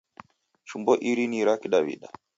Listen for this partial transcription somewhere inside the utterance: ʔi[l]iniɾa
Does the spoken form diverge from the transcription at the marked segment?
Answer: yes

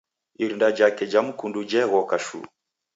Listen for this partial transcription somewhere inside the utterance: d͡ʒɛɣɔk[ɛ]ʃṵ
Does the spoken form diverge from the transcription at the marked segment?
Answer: yes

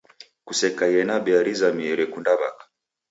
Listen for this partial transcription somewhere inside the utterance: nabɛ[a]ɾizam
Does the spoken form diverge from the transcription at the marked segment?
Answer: no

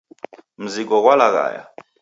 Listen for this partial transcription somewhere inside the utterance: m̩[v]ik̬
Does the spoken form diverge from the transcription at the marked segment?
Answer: yes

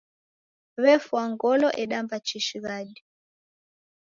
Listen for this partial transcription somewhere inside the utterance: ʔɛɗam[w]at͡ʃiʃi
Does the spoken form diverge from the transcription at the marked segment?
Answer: yes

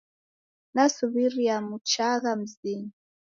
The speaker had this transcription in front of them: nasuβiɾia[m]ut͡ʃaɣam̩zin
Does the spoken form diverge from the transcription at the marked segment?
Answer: no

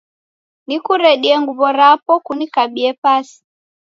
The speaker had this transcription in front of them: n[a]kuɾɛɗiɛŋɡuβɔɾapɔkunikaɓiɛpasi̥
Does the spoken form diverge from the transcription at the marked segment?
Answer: yes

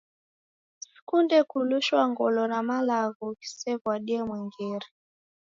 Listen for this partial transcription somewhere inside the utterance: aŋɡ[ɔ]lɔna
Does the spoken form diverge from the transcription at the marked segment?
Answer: no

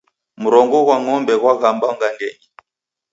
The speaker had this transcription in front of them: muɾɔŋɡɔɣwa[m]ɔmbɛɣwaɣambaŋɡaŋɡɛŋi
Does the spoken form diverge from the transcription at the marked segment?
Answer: yes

